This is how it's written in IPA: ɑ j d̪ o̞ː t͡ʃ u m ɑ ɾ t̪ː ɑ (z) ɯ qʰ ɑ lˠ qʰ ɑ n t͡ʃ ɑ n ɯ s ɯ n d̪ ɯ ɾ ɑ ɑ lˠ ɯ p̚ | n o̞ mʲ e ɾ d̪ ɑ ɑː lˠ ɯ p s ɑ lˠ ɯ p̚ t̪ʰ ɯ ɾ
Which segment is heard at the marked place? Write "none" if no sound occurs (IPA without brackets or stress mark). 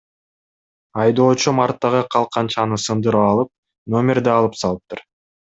ʁ